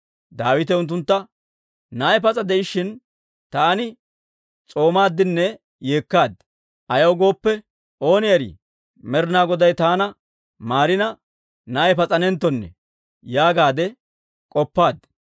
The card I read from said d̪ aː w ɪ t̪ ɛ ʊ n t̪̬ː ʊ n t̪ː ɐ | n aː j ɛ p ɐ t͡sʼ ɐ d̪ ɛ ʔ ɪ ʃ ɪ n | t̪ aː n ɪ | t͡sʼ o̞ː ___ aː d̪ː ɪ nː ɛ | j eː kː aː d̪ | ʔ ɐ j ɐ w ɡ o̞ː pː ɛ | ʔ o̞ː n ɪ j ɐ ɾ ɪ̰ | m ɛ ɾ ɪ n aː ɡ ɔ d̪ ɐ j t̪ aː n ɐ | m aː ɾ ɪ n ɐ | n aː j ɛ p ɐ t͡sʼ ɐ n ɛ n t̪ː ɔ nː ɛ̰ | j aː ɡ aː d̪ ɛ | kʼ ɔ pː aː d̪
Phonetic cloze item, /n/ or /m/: m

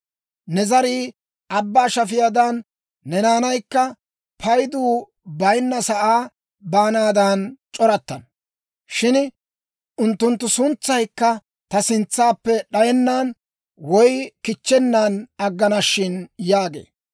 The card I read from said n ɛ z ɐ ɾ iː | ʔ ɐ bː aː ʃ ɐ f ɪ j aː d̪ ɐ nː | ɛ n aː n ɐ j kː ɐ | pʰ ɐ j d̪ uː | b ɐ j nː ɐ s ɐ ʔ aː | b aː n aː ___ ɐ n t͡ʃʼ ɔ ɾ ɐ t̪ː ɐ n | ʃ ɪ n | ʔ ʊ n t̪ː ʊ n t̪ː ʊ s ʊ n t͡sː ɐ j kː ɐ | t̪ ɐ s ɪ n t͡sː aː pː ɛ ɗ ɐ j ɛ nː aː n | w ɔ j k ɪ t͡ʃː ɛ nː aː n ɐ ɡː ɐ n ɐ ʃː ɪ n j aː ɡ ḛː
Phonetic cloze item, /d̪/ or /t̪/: d̪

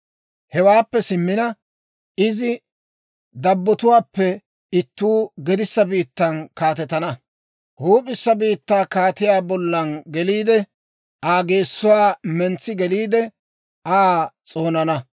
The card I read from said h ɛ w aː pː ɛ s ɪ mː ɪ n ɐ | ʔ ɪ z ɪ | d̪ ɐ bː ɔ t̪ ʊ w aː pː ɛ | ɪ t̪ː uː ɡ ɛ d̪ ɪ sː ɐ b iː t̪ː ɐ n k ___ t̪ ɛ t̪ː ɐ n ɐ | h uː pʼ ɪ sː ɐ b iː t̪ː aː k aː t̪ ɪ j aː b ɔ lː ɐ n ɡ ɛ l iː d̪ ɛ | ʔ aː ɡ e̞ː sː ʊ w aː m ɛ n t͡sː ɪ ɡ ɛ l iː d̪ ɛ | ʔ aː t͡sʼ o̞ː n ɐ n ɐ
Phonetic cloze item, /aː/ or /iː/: aː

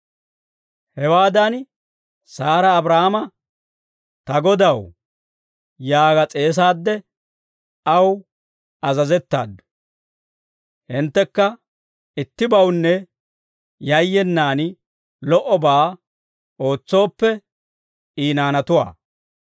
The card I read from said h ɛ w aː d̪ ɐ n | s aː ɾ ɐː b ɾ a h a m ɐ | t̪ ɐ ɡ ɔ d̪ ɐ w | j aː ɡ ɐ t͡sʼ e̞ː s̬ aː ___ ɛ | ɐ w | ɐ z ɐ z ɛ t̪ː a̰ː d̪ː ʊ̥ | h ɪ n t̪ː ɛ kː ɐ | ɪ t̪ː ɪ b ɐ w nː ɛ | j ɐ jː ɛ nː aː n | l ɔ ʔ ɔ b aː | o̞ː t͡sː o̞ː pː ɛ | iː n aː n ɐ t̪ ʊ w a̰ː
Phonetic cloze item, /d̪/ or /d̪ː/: d̪ː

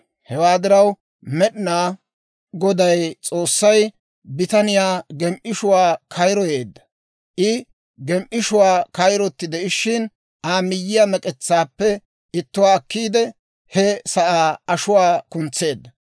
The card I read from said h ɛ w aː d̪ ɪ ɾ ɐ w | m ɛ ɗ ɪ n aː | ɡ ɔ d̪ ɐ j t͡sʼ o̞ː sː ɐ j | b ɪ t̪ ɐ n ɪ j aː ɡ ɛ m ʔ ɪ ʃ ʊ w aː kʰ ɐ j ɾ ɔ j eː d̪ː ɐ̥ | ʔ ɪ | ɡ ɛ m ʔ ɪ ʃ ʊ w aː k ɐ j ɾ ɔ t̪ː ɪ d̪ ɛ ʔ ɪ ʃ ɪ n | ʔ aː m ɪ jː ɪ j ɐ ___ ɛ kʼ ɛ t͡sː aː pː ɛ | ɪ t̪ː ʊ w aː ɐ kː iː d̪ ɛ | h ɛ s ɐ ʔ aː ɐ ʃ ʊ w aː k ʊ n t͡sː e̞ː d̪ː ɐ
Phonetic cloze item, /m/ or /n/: m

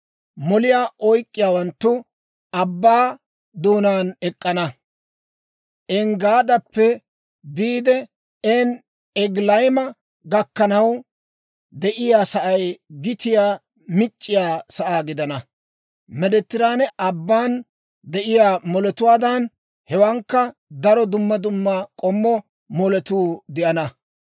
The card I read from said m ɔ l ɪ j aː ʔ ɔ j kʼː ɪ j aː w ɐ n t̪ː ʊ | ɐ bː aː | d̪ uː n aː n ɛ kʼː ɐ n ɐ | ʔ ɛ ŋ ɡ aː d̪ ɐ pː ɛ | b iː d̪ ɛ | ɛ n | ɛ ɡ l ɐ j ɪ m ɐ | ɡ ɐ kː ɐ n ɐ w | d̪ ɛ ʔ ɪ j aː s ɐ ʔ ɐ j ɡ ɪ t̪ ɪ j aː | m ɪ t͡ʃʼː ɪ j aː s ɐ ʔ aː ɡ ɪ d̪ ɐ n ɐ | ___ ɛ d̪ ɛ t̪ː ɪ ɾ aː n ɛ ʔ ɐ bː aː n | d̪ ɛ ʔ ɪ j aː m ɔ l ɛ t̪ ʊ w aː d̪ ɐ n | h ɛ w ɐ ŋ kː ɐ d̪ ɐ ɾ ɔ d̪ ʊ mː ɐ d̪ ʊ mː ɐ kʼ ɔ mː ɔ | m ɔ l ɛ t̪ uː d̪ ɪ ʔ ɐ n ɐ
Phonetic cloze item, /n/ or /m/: m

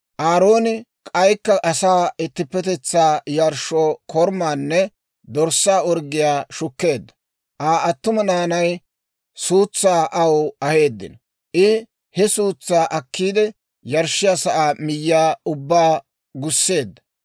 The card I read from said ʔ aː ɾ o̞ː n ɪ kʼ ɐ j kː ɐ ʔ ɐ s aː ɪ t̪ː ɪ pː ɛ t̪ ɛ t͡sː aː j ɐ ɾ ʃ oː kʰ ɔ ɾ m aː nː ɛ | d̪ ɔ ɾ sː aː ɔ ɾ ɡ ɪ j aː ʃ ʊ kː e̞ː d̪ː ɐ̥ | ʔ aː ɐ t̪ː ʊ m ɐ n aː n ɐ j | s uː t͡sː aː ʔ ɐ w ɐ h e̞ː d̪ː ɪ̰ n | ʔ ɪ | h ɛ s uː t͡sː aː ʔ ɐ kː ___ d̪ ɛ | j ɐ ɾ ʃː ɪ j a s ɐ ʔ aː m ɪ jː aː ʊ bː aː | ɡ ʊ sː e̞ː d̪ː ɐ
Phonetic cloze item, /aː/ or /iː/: iː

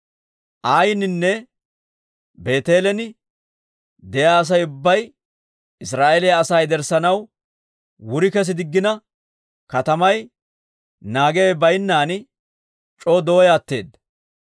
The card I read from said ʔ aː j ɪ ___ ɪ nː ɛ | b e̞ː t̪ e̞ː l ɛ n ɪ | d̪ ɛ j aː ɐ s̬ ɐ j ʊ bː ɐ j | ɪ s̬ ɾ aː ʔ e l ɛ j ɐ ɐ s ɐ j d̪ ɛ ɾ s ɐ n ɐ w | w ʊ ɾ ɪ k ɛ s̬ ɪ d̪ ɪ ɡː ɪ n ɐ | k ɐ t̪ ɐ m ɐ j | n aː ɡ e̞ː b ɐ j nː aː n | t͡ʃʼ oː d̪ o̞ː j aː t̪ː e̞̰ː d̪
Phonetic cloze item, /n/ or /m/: n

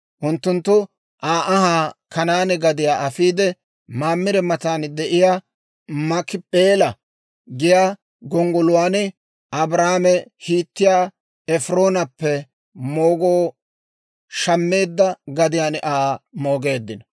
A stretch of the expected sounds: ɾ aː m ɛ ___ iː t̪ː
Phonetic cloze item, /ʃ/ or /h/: h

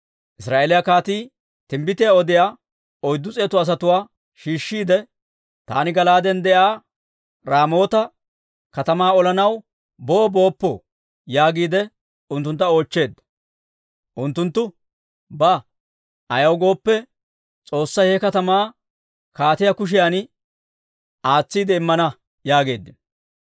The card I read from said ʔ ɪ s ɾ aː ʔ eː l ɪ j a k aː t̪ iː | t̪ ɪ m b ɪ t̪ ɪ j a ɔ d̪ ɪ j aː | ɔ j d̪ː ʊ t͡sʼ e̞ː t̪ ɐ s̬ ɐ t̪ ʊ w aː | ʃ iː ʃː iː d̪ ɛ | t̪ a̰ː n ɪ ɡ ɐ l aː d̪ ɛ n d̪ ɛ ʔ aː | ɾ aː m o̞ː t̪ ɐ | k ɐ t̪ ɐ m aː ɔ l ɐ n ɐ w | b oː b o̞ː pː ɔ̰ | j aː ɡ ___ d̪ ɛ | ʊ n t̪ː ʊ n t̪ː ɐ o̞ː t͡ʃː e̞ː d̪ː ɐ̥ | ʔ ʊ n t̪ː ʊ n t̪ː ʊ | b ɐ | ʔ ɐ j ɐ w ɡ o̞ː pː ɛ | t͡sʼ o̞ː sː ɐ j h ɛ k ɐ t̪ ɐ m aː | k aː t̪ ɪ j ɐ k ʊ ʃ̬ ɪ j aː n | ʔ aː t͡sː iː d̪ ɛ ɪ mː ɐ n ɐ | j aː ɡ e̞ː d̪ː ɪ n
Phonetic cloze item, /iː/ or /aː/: iː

